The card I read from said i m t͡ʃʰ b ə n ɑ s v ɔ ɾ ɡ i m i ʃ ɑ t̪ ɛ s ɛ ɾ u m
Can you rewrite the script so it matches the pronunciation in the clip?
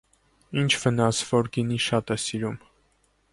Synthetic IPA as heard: i n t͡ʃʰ v ə n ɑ s v ɔ ɾ ɡ i n i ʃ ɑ t̪ ɛ s i ɾ u m